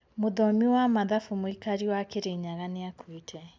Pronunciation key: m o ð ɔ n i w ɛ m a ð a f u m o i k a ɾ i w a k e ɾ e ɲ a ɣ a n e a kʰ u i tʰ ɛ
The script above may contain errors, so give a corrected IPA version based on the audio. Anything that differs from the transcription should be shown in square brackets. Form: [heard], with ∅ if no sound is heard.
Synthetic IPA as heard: m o ð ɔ [m] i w [a] m a ð a f u m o i k a ɾ i w a k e ɾ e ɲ a ɣ a n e a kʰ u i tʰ ɛ

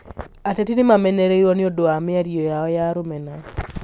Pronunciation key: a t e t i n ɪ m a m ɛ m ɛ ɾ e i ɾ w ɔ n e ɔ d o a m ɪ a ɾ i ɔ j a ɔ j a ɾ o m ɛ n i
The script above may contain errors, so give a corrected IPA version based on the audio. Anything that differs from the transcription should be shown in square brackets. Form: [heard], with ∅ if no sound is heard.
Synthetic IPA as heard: a t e t i n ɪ m a m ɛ [n] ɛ ɾ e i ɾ w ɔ n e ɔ d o a m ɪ a ɾ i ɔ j a ɔ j a ɾ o m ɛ n [a]

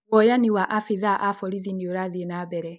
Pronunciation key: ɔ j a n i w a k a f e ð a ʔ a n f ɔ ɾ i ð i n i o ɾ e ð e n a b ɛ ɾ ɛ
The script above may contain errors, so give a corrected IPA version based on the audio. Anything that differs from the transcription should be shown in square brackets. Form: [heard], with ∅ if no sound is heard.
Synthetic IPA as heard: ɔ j a n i w a [ʔ] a f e ð a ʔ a [∅] f ɔ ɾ i ð i n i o ɾ [a] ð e n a b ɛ ɾ ɛ

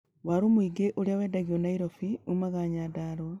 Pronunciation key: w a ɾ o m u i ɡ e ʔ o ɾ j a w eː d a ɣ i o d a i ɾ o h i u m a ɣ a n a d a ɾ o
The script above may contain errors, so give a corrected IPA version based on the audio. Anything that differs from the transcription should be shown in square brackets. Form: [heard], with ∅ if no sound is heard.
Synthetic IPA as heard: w a ɾ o m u i ɡ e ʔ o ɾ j a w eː d a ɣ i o [n] a i ɾ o [f] i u m a ɣ a [ɲ] a d a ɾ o

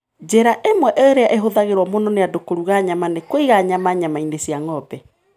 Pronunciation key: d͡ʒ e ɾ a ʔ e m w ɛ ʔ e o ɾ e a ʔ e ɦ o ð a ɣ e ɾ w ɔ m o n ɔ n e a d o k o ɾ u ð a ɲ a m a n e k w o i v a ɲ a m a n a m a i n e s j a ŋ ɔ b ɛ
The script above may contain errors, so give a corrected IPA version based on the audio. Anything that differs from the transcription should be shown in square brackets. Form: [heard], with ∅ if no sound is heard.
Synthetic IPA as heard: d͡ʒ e ɾ a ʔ e m w ɛ ʔ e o ɾ e a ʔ e ɦ o ð a ɣ e ɾ w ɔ m o n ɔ n e a d o k o ɾ u [ɣ] a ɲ a m a n e k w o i [ɣ] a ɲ a m a [ɲ] a m a i n e s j a ŋ ɔ b ɛ

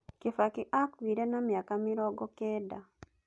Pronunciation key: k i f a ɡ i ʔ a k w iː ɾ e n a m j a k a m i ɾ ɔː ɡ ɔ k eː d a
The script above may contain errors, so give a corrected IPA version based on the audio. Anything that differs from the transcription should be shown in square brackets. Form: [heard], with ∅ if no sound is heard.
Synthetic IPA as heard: k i f a [k] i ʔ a k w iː ɾ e n a m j a k a m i ɾ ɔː ɡ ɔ k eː d a

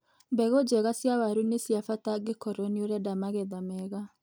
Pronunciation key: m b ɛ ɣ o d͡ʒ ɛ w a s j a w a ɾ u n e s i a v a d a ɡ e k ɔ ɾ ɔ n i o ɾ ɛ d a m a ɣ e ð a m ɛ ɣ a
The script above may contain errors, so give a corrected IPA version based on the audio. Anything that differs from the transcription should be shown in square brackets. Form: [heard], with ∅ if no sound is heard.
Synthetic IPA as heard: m b ɛ ɣ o d͡ʒ ɛ [ɣ] a s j a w a ɾ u n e s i a [f] a [t] a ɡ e k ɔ ɾ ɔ n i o ɾ ɛ d a m a ɣ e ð a m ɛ ɣ a

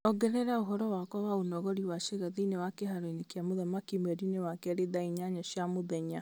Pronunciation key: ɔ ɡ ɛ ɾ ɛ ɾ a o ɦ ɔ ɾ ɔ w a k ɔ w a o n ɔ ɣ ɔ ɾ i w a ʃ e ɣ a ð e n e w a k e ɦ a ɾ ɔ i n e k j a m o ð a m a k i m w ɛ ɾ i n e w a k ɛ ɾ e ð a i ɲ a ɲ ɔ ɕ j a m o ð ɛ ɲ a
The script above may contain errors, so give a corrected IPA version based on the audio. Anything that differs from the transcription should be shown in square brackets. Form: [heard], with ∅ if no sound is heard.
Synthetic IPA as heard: ɔ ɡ ɛ ɾ ɛ ɾ a o ɦ ɔ ɾ ɔ w a k ɔ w a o n ɔ ɣ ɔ ɾ i w a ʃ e ɣ a ð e n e w a k e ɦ a ɾ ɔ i n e k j a m o ð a m a k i m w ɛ ɾ i n e w a k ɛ ɾ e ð a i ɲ a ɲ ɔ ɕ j a m o ð ɛ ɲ a

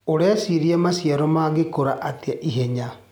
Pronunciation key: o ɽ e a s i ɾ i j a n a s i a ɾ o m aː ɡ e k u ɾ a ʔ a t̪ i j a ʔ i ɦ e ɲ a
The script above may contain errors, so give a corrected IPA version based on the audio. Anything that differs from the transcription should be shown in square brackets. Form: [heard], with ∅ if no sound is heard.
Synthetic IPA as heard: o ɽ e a s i ɾ i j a [m] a s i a ɾ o m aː ɡ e k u ɾ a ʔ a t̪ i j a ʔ i ɦ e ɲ a

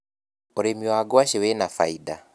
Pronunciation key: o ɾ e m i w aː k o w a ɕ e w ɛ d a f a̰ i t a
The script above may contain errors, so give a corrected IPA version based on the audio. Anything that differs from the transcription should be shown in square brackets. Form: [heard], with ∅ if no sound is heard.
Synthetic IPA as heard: o ɾ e m i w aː [ɡ] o w a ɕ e w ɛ [n] a f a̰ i [d] a

